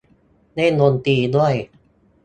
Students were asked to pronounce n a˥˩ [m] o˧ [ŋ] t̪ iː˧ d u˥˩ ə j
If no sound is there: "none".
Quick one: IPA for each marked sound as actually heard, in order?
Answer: n, n

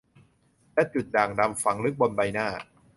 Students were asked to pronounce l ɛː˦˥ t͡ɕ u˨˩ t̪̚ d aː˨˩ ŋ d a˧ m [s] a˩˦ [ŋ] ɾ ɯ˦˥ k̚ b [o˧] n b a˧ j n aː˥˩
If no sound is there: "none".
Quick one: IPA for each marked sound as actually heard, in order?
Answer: f, ŋ, o˧

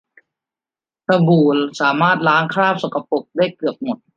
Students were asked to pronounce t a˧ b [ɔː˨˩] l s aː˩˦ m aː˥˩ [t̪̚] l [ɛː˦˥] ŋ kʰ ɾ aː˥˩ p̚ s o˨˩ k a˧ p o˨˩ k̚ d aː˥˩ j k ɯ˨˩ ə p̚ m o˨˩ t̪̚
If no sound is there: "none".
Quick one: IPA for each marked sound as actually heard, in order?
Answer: uː˨˩, t̪̚, aː˦˥

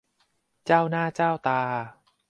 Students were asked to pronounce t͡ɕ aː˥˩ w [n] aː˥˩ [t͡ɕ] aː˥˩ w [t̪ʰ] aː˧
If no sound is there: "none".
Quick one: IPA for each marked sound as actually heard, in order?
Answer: n, t͡ɕ, t̪

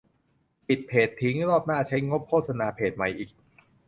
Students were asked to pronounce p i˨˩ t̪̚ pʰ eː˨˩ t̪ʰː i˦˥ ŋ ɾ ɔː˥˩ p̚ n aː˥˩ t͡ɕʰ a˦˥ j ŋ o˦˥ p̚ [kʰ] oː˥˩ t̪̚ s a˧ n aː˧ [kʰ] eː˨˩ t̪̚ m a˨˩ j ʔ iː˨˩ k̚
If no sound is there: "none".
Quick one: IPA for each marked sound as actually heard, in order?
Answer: kʰ, pʰ

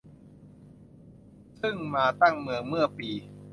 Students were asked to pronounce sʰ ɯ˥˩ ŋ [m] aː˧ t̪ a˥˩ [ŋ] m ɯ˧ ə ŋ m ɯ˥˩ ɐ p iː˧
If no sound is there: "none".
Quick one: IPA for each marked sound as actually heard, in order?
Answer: m, ŋ

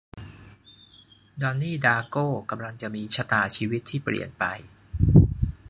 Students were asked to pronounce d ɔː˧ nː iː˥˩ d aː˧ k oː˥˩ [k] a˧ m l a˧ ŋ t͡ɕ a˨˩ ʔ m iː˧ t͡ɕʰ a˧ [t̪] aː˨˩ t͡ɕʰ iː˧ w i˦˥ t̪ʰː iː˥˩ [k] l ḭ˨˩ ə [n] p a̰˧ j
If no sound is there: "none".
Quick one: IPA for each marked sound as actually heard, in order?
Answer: k, t̪, p, n

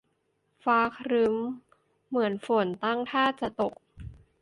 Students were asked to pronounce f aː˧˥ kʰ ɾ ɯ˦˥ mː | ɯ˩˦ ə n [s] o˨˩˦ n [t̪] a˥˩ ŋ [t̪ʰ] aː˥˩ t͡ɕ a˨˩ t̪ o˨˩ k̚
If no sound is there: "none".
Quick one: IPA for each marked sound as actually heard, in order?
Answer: f, t̪, t̪ʰ

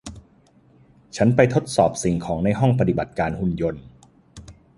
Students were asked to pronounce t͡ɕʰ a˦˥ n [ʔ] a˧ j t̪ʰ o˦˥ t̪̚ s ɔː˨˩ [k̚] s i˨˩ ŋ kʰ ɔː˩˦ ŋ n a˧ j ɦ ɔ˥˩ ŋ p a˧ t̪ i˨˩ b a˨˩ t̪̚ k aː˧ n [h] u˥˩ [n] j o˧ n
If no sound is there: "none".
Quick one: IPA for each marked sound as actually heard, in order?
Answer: p, p̚, h, n

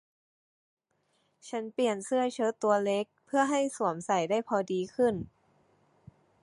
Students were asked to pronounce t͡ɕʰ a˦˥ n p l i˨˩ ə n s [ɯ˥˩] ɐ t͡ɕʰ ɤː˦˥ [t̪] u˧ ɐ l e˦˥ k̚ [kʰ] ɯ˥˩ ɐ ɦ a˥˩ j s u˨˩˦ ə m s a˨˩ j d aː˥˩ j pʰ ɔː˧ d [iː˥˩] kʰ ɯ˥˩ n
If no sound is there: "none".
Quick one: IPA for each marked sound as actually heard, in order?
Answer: ɯ˥˩, t̪, pʰ, iː˧

